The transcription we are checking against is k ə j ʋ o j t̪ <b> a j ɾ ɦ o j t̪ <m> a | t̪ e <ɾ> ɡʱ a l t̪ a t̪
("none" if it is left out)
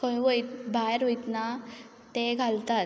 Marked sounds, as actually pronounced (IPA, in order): b, n, none

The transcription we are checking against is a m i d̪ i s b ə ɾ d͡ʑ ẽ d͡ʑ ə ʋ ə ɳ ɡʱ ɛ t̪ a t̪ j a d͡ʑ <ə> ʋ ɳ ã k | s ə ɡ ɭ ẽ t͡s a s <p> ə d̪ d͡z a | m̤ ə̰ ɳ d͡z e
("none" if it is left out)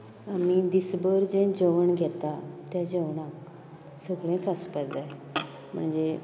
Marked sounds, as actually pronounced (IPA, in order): ə, p

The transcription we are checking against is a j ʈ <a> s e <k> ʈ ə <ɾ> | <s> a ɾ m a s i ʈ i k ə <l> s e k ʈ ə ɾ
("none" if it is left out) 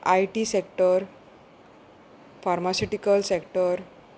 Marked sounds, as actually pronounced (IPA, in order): i, k, ɾ, f, l

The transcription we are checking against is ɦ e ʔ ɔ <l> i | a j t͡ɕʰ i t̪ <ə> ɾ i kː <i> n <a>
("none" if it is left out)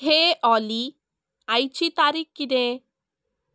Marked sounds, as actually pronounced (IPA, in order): l, a, i, e

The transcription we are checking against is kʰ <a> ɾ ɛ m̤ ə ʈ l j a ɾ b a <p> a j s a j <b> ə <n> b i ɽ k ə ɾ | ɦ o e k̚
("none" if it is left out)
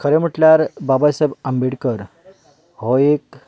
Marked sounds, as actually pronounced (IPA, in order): ə, b, b, m

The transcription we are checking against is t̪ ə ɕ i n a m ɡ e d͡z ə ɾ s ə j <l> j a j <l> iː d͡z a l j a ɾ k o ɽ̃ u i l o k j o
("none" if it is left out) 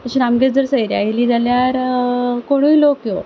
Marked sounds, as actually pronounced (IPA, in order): ɾ, l

